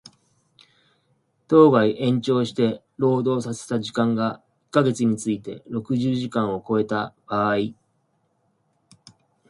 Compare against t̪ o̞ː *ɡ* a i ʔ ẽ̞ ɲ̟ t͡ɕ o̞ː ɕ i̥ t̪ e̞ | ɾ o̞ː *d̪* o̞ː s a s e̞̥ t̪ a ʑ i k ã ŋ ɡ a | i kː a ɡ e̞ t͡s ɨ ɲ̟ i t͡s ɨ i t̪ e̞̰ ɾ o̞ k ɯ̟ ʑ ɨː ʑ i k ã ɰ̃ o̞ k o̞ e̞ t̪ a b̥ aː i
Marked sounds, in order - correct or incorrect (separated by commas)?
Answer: correct, correct